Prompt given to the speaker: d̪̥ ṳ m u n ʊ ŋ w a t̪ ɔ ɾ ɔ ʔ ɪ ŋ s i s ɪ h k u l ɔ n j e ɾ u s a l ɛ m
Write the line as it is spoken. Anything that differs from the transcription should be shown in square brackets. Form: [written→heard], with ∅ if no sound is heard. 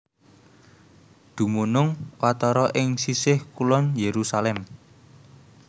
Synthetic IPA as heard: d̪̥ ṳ m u n ʊ ŋ w a t̪ ɔ ɾ ɔ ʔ ɪ ŋ s i s ɪ h k u l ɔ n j e ɾ u s a l ɛ m